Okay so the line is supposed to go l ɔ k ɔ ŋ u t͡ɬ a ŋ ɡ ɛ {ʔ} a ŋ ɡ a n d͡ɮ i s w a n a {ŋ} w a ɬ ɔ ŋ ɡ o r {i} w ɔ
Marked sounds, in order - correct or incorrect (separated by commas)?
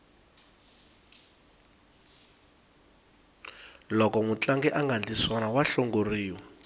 correct, incorrect, incorrect